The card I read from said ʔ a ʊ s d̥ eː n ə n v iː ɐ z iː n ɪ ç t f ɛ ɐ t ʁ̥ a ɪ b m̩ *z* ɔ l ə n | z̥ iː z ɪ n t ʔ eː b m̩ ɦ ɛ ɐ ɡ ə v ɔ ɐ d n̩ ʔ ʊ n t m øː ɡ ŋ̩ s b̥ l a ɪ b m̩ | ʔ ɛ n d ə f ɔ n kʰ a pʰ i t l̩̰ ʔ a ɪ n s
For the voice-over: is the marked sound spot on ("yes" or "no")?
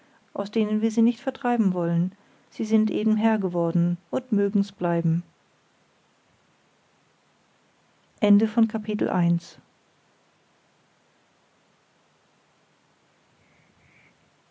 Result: no